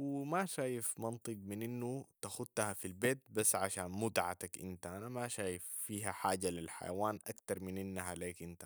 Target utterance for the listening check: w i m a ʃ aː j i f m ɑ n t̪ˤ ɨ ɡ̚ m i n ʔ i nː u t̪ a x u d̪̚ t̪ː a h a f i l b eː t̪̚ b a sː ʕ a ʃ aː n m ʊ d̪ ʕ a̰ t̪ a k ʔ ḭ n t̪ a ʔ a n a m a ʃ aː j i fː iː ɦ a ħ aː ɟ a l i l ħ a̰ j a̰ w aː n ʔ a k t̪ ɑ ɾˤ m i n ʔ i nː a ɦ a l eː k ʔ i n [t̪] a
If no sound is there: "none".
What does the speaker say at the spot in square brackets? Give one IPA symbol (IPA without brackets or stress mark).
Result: t̪